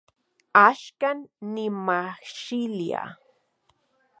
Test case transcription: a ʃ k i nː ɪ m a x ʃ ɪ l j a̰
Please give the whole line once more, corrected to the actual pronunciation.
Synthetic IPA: a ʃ k a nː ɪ m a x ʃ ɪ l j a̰